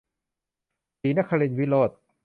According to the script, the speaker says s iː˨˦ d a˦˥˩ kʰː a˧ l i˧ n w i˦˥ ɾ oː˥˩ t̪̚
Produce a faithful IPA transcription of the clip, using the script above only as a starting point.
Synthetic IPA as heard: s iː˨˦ n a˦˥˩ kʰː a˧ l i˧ n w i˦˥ l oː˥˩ t̪̚